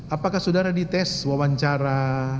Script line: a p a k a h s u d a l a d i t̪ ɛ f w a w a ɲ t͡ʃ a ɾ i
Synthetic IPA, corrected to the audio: a p a k a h s u d a ɾ a d i t̪ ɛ s w a w a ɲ t͡ʃ a ɾ a